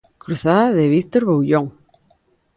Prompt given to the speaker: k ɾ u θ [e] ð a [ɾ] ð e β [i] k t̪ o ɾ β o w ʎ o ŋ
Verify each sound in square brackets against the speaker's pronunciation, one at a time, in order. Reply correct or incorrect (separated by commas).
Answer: incorrect, incorrect, correct